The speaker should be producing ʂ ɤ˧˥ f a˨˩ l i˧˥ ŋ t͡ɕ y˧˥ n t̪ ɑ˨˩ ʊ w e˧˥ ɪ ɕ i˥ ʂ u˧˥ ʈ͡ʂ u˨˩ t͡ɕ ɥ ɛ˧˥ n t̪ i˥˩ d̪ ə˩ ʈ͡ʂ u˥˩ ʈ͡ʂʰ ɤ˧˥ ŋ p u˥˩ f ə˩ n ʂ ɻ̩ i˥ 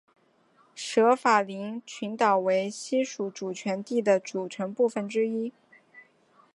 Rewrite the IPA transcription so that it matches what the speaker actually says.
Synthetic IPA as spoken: ʂ ɤ˧˥ f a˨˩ l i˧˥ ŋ t͡ɕʰ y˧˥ n t̪ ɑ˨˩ ʊ w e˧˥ ɪ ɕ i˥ ʂ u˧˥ ʈ͡ʂ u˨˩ t͡ɕʰ ɥ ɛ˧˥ n t̪ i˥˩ d̪ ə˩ ʈ͡ʂ u˨˩ ʈ͡ʂʰ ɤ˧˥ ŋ p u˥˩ f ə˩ n ʈ͡ʂ ɻ̩ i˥

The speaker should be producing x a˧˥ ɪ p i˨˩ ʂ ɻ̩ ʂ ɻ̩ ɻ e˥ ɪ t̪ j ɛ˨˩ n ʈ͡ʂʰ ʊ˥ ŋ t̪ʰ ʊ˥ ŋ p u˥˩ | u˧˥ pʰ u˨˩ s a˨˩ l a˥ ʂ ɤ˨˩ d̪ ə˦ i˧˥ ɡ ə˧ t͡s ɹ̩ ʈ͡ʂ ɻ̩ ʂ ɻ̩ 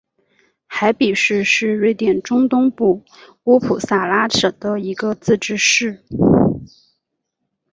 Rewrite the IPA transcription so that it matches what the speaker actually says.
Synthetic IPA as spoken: x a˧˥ ɪ p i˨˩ ʂ ɻ̩ ʂ ɻ̩ ɻ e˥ ɪ t̪ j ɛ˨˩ n ʈ͡ʂ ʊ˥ ŋ t̪ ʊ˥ ŋ p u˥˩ | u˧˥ pʰ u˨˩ s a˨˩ l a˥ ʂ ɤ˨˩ d̪ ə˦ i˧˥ ɡ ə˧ t͡s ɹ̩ ʈ͡ʂ ɻ̩ ʂ ɻ̩

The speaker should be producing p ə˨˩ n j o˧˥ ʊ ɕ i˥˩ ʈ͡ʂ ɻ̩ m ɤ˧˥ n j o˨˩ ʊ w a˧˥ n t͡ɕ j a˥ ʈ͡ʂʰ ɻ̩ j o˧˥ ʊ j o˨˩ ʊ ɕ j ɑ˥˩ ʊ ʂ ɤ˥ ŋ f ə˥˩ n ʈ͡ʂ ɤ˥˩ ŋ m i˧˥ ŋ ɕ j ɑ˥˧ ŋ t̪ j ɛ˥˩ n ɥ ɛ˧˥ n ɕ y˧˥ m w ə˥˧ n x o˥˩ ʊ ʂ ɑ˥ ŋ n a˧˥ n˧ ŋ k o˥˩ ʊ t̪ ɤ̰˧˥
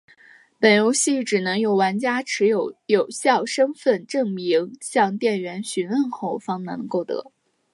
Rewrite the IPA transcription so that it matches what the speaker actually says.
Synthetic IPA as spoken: p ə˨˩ n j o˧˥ ʊ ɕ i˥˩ ʈ͡ʂ ɻ̩ n ɤ˧˥ ŋ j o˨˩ ʊ w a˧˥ n t͡ɕ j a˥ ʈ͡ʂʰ ɻ̩ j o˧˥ ʊ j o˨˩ ʊ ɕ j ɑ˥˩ ʊ ʂ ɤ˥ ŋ f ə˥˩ n ʈ͡ʂ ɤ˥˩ ŋ m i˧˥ ŋ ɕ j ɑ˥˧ ŋ t̪ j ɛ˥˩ n ɥ ɛ˧˥ n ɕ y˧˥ n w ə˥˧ n x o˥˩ ʊ f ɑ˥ ŋ n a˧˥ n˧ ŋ k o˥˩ ʊ t̪ ɤ̰˧˥

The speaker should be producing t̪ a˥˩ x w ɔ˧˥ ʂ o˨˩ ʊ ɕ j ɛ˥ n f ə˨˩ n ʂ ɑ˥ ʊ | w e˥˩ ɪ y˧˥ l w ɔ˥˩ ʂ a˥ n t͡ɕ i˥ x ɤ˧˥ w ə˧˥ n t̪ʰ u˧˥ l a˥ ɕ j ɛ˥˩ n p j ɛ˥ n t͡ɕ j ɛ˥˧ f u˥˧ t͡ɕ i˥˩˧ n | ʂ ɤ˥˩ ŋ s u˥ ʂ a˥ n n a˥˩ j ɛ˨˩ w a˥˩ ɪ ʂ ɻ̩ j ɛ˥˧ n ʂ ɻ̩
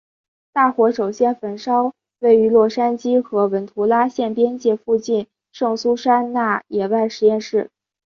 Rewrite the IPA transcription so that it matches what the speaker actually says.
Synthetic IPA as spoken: t̪ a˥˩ x w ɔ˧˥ ʂ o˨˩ ʊ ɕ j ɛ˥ n f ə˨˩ n ʂ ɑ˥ ʊ | w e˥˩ ɪ y˧˥ l w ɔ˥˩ ʂ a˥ n t͡ɕ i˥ x ɤ˧˥ w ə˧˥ n t̪ʰ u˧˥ l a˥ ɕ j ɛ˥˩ n p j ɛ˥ n t͡ɕ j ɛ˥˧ f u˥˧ t͡ɕ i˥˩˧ n | ʂ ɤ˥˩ ŋ s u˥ ʂ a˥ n n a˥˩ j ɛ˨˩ w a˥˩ ɪ ʂ ɻ̩ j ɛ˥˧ n ʂ ɻ̩

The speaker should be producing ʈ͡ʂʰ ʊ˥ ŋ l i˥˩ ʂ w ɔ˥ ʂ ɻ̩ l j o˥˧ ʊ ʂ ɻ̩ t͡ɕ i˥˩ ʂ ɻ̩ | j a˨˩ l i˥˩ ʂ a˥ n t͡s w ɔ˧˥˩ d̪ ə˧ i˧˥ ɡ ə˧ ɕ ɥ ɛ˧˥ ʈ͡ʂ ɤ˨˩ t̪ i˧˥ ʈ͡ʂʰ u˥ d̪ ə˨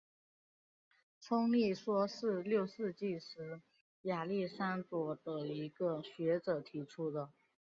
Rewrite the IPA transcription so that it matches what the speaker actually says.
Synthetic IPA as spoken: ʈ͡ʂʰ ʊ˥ ŋ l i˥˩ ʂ w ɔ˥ ʂ ɻ̩ l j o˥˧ ʊ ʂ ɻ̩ t͡ɕ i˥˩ ʂ ɻ̩ | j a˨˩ l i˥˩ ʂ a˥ n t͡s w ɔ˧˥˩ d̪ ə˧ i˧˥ ɡ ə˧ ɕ ɥ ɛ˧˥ ʈ͡ʂ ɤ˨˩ t̪ʰ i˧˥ ʈ͡ʂʰ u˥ d̪ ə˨

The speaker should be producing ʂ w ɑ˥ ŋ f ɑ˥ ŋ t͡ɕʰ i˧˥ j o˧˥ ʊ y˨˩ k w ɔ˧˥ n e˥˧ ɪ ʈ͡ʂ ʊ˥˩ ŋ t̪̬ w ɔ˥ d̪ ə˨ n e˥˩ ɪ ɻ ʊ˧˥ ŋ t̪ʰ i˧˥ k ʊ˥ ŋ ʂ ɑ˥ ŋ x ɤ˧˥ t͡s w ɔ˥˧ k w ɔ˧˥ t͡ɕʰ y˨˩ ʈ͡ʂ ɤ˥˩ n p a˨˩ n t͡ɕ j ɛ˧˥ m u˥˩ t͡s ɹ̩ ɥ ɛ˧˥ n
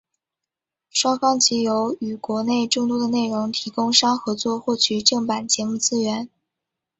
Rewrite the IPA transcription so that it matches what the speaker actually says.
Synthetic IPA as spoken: ʂ w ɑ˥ ŋ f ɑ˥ ŋ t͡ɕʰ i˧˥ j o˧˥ ʊ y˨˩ k w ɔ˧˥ n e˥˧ ɪ ʈ͡ʂ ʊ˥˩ ŋ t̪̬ w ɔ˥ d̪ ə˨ n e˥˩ ɪ ɻ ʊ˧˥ ŋ t̪ʰ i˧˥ k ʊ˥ ŋ ʂ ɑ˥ ŋ x ɤ˧˥ t͡s w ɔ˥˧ x w ɔ˥˩ t͡ɕʰ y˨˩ ʈ͡ʂ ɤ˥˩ ŋ p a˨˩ n t͡ɕ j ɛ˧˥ m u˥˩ t͡s ɹ̩ ɥ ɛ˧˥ n

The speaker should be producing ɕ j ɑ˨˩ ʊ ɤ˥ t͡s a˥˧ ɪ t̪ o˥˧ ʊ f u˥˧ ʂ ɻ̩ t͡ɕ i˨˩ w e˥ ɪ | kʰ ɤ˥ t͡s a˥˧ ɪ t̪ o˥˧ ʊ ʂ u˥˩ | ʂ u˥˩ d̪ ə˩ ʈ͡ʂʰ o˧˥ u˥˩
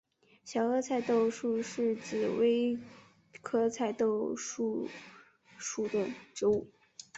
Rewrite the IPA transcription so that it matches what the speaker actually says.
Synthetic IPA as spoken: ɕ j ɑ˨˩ ʊ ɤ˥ t͡sʰ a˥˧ ɪ t̪ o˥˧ ʊ ʂ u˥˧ ʂ ɻ̩ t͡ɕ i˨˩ w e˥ ɪ | kʰ ɤ˥ t͡sʰ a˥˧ ɪ t̪ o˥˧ ʊ ʂ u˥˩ | ʂ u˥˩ d̪ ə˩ ʈ͡ʂ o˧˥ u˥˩

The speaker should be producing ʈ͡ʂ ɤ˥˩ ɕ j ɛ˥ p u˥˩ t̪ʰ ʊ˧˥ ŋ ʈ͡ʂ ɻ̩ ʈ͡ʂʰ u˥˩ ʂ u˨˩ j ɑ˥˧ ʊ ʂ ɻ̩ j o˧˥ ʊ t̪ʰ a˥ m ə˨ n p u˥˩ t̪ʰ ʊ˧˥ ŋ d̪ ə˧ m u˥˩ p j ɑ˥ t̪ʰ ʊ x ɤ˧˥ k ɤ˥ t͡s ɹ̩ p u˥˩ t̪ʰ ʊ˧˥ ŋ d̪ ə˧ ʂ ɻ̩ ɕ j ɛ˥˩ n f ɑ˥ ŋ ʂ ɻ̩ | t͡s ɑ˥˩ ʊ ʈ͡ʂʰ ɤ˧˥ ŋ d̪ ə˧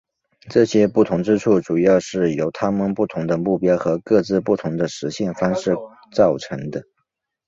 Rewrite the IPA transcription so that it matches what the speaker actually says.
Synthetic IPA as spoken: ʈ͡ʂ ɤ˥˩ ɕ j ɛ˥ p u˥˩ t̪ʰ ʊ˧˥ ŋ ʈ͡ʂ ɻ̩ ʈ͡ʂʰ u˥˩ ʈ͡ʂ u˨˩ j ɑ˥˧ ʊ ʂ ɻ̩ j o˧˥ ʊ t̪ʰ a˥ m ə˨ n p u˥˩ t̪ʰ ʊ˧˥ ŋ d̪ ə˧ m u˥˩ p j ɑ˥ ʊ x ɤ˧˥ k ɤ˥˧ t͡s ɹ̩ p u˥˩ t̪ʰ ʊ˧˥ ŋ d̪ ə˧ ʂ ɻ̩ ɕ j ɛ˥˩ n f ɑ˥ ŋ ʂ ɻ̩ | t͡s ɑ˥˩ ʊ ʈ͡ʂʰ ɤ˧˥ ŋ d̪ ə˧

